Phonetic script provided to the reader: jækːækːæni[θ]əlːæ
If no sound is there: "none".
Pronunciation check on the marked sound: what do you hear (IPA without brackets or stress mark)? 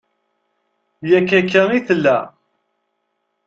θ